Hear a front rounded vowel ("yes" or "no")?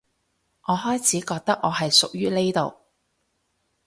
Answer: yes